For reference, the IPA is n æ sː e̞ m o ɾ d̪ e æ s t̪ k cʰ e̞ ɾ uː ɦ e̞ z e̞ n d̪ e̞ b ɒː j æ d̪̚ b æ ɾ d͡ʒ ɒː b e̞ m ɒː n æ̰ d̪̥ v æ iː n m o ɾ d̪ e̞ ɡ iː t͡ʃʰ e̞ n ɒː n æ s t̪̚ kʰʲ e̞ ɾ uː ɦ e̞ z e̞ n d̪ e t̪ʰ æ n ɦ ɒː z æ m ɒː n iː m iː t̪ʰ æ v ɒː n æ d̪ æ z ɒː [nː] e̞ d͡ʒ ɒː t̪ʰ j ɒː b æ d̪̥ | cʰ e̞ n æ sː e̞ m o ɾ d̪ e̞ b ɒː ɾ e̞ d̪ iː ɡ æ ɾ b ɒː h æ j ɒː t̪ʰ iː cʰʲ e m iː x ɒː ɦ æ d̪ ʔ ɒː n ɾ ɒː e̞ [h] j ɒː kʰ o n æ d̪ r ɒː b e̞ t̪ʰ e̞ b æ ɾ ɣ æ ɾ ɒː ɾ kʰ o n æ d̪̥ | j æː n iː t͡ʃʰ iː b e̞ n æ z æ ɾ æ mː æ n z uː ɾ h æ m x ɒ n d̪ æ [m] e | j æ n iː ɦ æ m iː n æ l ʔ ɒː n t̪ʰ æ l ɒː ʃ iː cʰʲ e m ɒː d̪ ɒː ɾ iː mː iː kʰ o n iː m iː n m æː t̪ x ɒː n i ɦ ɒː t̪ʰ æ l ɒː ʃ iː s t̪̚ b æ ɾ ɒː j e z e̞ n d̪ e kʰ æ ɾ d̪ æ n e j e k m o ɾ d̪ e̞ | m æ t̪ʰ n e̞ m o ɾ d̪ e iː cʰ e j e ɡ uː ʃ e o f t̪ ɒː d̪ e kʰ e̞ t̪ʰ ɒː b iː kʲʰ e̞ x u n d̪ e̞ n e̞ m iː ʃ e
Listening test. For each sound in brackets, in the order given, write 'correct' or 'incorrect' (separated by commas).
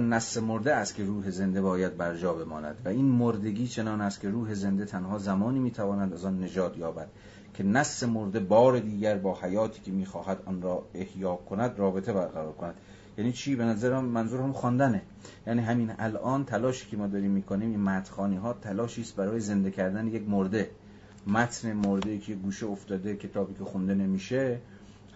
correct, correct, incorrect